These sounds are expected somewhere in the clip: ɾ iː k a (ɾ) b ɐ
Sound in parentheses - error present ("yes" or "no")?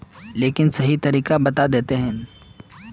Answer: yes